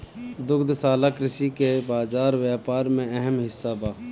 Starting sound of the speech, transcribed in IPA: d̪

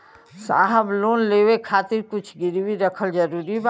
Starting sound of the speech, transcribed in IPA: s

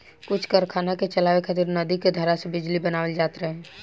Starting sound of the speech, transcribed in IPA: k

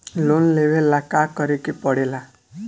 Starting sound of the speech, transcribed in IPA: l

